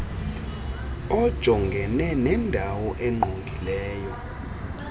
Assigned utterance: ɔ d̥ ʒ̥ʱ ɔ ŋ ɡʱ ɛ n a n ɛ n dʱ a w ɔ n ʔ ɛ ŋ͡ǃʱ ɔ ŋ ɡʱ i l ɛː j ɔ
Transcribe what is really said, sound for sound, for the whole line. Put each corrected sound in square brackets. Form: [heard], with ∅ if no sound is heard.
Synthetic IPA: ɔ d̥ ʒ̥ʱ ɔ ŋ ɡʱ ɛ n [ɛ] n ɛ n dʱ a w ɔ [∅] ʔ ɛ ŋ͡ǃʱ [o] ŋ ɡʱ i l ɛː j ɔ

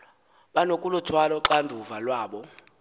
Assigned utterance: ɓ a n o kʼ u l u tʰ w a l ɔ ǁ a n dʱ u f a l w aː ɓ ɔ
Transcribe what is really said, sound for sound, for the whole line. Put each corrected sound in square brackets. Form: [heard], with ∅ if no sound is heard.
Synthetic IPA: ɓ a n o kʼ u l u tʰ w a l ɔ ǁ a n dʱ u [v] a l w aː ɓ ɔ

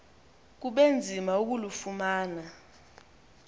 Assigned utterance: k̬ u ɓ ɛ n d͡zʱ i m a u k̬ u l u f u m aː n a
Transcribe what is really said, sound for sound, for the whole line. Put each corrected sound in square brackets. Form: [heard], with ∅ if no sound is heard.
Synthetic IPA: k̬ u ɓ [e] n d͡zʱ i m a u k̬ u l u f u m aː n a

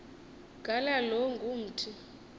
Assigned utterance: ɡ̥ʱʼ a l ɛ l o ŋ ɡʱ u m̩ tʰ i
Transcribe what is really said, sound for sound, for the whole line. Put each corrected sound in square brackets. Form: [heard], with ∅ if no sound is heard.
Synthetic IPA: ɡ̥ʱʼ a l [a] l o ŋ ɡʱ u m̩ tʰ i

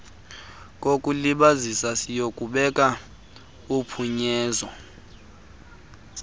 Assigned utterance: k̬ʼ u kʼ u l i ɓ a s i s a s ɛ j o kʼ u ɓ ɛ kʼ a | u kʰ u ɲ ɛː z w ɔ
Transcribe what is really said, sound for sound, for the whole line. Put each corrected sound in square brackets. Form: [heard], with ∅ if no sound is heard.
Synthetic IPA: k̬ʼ [o] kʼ u l i ɓ a [z] i s a s [i] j o kʼ u ɓ ɛ kʼ a | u [pʰ] u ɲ ɛː z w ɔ

